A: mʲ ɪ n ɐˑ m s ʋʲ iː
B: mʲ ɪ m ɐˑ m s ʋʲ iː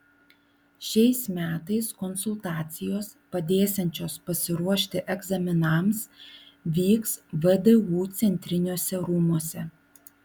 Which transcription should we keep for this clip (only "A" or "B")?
A